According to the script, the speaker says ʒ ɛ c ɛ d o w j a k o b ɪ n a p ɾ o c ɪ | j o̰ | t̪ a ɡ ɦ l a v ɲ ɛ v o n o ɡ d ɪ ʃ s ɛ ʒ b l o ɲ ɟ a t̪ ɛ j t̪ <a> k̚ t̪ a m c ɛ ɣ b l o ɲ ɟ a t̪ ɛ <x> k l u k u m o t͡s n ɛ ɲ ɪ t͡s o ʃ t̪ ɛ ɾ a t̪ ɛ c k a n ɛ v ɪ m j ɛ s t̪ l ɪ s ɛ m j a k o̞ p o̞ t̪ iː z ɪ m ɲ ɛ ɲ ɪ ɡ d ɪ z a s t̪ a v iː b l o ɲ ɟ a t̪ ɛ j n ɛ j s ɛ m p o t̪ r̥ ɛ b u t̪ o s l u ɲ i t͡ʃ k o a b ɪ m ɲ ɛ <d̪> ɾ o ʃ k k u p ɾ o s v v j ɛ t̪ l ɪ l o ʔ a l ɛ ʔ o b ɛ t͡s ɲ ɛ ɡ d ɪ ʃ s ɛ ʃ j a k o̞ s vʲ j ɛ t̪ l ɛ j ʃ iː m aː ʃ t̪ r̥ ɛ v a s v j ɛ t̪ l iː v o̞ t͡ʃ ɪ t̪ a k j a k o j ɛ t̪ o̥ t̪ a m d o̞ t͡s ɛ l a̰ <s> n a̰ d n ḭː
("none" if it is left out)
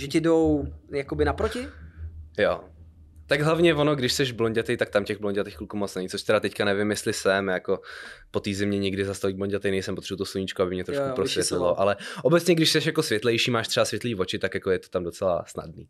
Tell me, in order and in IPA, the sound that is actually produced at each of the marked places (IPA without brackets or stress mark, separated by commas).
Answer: a, x, t̪, s